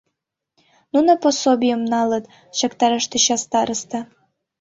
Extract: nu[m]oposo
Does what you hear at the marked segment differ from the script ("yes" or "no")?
yes